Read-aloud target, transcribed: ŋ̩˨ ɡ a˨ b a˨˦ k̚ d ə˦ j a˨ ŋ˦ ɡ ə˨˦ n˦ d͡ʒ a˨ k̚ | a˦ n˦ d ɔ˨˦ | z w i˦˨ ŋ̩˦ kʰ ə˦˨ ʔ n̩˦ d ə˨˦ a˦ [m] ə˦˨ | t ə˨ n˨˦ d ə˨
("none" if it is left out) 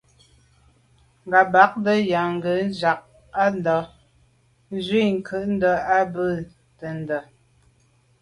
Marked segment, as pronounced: b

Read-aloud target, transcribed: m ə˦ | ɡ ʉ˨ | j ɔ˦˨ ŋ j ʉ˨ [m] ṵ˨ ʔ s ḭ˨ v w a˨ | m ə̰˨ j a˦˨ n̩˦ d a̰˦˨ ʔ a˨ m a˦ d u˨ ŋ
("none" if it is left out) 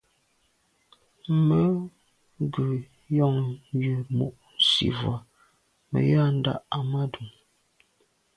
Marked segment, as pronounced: m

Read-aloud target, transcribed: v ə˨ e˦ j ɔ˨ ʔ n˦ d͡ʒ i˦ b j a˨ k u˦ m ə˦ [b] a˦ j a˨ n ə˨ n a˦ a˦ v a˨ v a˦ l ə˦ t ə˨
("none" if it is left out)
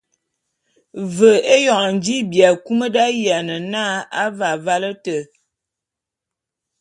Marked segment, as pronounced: d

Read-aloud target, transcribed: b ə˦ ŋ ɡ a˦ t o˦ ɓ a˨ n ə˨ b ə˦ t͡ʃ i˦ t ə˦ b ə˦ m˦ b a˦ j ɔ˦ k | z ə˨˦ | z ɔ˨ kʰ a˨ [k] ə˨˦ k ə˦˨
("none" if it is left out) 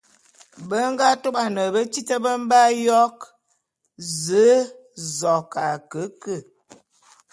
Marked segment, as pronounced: k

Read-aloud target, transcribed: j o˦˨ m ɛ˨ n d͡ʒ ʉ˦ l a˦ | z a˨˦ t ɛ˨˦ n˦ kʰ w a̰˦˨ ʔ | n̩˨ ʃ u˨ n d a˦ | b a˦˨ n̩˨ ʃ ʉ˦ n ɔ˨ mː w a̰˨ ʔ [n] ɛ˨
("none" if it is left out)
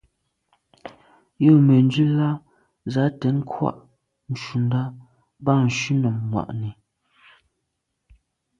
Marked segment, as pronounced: n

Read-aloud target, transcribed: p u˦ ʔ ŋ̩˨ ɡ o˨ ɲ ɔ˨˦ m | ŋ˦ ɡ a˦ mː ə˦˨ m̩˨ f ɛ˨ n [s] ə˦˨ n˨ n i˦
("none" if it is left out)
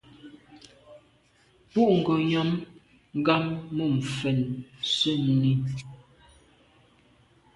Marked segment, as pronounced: s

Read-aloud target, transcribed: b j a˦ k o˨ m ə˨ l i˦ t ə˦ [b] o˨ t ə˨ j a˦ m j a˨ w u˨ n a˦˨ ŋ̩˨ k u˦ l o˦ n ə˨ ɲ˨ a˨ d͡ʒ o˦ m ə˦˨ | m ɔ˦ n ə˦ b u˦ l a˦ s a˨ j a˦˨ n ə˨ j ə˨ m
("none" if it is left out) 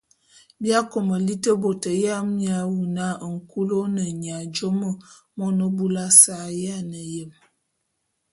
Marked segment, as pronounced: b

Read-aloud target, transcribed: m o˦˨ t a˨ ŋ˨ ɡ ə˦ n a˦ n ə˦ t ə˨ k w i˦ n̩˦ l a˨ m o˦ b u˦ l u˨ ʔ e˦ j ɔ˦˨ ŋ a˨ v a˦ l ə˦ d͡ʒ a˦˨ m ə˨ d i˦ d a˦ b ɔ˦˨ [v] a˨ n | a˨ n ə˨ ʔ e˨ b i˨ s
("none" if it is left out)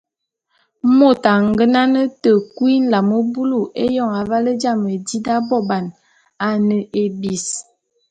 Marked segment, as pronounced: b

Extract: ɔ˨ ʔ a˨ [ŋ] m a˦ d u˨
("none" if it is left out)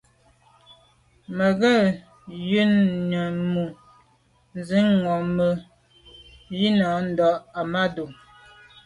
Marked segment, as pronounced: none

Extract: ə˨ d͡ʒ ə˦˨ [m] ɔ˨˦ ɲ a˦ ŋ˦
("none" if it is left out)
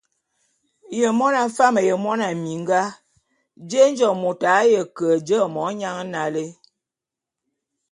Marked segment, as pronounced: m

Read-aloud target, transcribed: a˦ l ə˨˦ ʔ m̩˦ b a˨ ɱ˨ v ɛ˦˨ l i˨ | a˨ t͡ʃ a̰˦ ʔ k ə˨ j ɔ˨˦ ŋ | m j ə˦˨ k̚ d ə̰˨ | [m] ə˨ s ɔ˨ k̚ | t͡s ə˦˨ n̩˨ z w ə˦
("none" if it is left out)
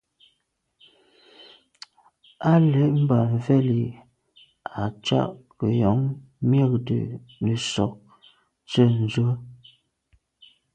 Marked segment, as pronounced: n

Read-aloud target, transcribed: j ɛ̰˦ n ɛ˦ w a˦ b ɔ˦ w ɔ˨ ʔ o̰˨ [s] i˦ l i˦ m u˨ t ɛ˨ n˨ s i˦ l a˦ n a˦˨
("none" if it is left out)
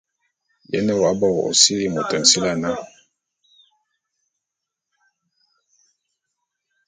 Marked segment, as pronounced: s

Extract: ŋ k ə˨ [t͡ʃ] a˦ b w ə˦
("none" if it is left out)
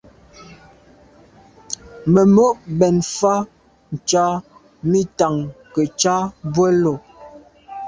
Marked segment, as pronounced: t͡ʃ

